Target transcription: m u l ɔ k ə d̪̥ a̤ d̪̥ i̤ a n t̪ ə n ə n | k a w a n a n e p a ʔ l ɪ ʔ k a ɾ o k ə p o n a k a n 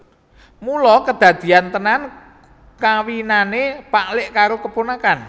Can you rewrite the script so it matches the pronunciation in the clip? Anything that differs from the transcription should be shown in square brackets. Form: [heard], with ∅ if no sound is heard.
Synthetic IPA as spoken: m u l ɔ k ə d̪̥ a̤ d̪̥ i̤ a n t̪ ə n [a] n | k a w [i] n a n e p a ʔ l ɪ ʔ k a ɾ o k ə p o n a k a n